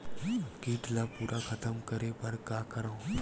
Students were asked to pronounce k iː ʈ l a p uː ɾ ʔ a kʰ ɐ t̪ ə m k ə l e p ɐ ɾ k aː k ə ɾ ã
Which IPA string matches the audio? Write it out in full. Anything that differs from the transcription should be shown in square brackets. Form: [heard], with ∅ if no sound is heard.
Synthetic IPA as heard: k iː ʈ l a p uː ɾ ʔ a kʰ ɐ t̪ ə m k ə [ɾ] e p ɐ ɾ k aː k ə ɾ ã